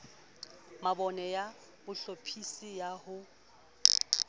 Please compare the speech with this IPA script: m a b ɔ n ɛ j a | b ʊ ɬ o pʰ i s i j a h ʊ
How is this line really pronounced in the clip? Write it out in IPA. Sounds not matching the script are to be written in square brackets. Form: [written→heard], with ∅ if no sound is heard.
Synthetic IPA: m a b ɔ n ɛ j a | b ʊ ɬ o pʰ i s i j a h ʊ